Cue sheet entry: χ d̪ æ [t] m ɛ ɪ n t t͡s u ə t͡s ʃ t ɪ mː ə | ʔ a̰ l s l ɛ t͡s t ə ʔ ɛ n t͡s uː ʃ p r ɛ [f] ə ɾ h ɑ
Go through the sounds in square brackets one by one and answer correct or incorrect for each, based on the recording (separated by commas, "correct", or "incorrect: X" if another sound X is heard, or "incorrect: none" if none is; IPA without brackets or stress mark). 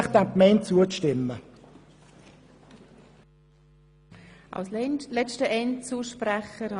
incorrect: k, incorrect: χ